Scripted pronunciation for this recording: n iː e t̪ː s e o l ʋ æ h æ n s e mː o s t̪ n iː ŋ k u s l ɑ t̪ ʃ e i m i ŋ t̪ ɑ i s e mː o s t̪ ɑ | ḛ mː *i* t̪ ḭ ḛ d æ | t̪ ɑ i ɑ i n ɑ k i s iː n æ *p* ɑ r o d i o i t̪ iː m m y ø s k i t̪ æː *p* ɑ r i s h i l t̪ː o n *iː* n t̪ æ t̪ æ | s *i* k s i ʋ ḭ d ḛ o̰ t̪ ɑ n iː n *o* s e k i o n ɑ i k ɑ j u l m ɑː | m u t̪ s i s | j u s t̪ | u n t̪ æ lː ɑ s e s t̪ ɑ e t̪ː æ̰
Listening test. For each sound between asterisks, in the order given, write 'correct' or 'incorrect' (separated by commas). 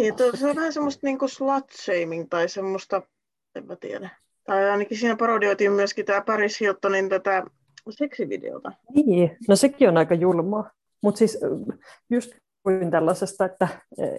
incorrect, correct, correct, incorrect, incorrect, correct